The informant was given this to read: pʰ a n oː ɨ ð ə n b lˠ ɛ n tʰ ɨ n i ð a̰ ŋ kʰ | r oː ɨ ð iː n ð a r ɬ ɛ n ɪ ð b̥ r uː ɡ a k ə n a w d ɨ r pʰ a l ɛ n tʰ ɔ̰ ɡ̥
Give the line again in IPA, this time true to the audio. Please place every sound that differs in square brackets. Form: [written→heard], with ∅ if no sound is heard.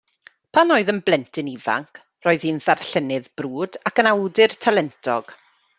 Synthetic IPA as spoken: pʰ a n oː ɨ ð ə n b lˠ ɛ n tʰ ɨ n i [ð→v] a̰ ŋ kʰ | r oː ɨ ð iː n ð a r ɬ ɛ n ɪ ð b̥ r uː [ɡ→d] a k ə n a w d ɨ r [pʰ→tʰ] a l ɛ n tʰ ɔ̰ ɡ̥